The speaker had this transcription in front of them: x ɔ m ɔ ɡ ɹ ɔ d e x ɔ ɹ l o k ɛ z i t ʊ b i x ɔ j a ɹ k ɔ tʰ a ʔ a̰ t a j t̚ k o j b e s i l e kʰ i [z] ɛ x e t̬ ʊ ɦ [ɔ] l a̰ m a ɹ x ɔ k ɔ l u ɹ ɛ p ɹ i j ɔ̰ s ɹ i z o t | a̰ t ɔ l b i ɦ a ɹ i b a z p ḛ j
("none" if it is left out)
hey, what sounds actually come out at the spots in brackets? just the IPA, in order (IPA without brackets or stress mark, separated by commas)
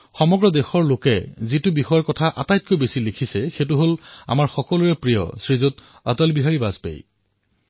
s, o